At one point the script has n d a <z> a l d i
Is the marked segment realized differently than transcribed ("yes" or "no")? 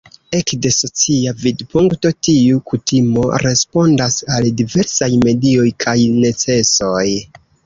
yes